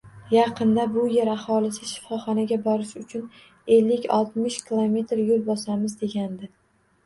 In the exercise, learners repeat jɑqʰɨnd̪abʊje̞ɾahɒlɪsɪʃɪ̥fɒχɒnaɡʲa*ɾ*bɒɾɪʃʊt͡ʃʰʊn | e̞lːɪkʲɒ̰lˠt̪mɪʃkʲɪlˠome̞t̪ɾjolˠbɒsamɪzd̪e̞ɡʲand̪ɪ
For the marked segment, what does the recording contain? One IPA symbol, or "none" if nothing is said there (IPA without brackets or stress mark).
none